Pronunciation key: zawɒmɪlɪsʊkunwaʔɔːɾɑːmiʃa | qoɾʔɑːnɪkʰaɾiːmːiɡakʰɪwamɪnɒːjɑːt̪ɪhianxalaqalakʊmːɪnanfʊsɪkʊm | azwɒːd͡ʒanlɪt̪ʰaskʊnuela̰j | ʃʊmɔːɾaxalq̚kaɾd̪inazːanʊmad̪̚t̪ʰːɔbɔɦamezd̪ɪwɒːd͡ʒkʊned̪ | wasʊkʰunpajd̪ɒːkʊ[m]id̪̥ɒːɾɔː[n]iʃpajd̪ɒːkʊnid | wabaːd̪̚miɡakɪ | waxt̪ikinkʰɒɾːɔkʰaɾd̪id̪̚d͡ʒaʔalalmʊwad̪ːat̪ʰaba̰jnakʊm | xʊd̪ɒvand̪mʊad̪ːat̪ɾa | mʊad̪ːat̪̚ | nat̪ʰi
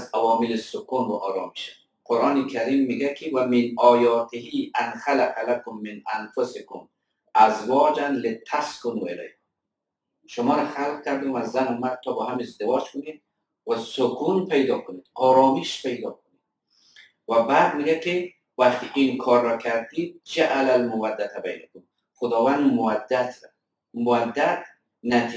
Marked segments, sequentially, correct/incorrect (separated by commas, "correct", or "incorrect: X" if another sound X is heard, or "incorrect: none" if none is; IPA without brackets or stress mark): incorrect: n, incorrect: m